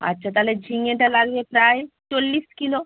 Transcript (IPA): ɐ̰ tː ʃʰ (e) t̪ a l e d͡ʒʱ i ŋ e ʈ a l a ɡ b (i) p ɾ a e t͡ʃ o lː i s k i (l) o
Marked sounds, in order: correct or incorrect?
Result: incorrect: a, incorrect: e, correct

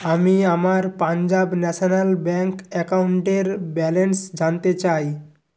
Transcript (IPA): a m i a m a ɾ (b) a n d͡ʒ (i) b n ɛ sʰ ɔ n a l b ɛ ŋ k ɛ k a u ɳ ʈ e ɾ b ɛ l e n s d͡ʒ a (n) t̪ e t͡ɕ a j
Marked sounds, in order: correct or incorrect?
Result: incorrect: p, incorrect: a, correct

